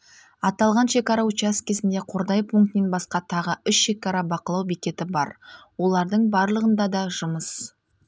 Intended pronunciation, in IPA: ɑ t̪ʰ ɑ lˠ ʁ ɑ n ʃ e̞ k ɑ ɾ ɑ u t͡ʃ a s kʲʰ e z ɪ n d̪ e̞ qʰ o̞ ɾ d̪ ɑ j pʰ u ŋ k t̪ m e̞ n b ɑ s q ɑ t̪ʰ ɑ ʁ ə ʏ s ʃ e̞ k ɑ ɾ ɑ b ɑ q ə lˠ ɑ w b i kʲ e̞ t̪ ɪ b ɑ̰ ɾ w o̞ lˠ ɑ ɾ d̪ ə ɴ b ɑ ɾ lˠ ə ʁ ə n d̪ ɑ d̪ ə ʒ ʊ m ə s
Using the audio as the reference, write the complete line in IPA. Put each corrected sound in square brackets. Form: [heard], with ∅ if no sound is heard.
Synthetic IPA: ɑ [t̪] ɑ lˠ ʁ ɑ n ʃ e̞ k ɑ ɾ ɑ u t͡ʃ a s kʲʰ e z ɪ n d̪ e̞ qʰ o̞ ɾ d̪ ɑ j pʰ u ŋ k t̪ m e̞ n b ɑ s q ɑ t̪ʰ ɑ ʁ ə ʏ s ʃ e̞ k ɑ ɾ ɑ b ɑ q ə lˠ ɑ w b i kʲ e̞ t̪ ɪ b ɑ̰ ɾ w o̞ lˠ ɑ ɾ d̪ ə ɴ b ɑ ɾ lˠ ə ʁ ə n d̪ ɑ d̪ [ɑ] ʒ ʊ m ə s

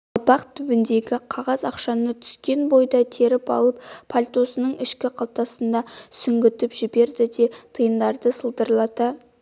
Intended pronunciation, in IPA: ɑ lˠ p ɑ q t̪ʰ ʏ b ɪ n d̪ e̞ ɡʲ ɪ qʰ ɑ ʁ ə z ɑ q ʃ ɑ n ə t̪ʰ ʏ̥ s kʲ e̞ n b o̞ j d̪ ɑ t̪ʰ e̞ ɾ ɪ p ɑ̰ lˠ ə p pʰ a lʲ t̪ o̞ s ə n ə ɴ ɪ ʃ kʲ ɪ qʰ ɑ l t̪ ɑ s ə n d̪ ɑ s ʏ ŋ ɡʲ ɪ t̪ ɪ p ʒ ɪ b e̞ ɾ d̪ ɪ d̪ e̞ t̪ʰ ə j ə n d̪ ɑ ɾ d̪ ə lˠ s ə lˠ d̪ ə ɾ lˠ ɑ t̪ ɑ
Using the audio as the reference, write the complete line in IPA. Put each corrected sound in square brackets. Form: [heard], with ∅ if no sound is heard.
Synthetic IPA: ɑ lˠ p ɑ q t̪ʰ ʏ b ɪ n d̪ e̞ ɡʲ ɪ qʰ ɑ ʁ [ɑ] z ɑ q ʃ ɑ n ə t̪ʰ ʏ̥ s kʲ e̞ n b o̞ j d̪ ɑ t̪ʰ e̞ ɾ ɪ p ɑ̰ lˠ ə p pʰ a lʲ t̪ o̞ s ə n ə ɴ ɪ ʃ kʲ ɪ qʰ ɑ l t̪ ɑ s ə n d̪ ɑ s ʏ ŋ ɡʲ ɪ t̪ ɪ p ʒ ɪ b e̞ ɾ d̪ ɪ d̪ e̞ t̪ʰ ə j ə n d̪ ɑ ɾ d̪ ə [∅] s ə lˠ d̪ ə ɾ lˠ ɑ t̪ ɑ

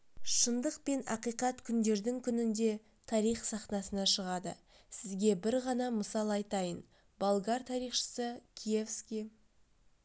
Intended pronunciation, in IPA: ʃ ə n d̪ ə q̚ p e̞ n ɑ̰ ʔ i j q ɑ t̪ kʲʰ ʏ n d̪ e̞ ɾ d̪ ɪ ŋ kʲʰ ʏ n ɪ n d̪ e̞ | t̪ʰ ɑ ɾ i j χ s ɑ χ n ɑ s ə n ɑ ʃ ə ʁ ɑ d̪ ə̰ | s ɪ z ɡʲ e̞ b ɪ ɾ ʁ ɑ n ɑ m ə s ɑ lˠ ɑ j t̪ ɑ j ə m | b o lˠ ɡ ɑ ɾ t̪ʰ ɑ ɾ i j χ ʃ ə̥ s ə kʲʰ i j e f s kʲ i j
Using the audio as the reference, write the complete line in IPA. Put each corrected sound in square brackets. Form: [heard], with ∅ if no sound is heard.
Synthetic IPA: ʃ ə n d̪ ə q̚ p e̞ n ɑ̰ [q] i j q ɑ t̪ kʲʰ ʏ n d̪ e̞ ɾ d̪ ɪ ŋ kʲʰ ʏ n ɪ n d̪ e̞ | t̪ʰ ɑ ɾ i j χ s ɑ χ n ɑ s ə n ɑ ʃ ə ʁ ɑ d̪ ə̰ | s ɪ z ɡʲ e̞ b ɪ ɾ ʁ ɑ n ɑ m ə s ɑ lˠ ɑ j t̪ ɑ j ə [n] | b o lˠ ɡ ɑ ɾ t̪ʰ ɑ ɾ i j χ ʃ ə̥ s ə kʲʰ i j e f s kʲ i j

